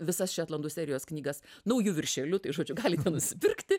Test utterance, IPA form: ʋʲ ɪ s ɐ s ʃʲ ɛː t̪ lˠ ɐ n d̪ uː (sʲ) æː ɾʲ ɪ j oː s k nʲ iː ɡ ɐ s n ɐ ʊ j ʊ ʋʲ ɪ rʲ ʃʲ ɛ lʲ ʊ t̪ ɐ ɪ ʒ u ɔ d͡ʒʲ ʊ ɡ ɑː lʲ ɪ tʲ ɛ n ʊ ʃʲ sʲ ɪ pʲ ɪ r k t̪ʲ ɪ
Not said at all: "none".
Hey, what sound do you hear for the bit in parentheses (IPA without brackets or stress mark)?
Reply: sʲ